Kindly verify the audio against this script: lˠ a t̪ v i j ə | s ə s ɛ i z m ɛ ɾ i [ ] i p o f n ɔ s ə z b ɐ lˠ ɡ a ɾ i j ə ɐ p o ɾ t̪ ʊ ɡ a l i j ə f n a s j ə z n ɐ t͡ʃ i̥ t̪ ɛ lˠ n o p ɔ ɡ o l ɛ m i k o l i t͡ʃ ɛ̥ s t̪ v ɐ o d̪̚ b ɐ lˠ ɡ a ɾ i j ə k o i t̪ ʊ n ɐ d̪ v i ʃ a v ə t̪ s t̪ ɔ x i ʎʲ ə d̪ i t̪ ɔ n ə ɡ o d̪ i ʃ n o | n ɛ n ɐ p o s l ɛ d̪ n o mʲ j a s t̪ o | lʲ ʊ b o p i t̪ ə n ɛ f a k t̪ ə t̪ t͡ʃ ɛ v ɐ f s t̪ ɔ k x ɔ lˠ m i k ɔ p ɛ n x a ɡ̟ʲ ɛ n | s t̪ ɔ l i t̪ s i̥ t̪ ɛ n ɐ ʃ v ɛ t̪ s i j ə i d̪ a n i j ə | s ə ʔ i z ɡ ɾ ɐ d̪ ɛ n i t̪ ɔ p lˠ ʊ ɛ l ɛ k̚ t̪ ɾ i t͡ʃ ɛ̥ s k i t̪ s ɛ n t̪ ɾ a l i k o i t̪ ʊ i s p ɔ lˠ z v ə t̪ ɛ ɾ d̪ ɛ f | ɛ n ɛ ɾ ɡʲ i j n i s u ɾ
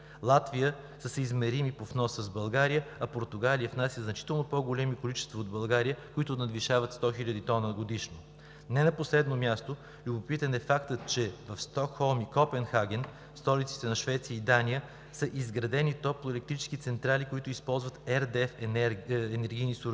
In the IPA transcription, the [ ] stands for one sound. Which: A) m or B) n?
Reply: A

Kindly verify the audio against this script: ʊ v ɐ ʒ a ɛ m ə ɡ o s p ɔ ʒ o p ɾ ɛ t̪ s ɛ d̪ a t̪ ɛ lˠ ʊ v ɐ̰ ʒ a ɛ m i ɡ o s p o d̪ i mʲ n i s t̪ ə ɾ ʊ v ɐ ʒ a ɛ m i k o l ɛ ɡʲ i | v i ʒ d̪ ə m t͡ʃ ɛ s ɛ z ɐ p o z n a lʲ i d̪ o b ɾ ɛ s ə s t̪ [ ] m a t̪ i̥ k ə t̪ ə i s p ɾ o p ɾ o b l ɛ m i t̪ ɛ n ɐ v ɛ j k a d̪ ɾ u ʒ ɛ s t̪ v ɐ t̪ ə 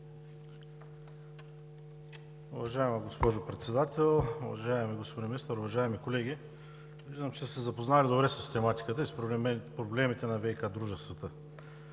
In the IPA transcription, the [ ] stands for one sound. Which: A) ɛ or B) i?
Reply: A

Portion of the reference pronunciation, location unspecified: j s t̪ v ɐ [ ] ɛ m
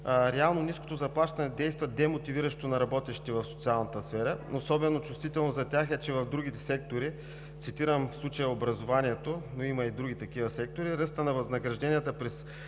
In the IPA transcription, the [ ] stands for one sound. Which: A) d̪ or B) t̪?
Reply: A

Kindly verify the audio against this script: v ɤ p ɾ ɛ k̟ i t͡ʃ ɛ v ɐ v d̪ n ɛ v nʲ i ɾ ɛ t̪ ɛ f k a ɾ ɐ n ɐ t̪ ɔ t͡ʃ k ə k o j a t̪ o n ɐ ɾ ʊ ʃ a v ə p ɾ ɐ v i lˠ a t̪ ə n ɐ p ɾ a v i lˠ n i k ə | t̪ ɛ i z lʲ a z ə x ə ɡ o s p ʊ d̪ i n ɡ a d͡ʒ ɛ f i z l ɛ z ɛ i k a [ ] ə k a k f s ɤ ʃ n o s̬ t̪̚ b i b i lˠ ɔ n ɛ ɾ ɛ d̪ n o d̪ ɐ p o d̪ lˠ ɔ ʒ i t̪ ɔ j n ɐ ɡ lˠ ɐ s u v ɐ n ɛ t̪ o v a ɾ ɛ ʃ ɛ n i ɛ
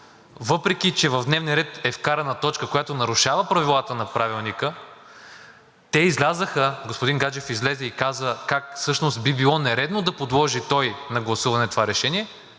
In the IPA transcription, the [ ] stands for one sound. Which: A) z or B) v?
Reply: A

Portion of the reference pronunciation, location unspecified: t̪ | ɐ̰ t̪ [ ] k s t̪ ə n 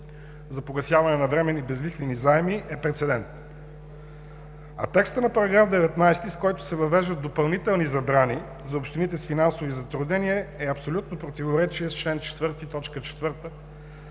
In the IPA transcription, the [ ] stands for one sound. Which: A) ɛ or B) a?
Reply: A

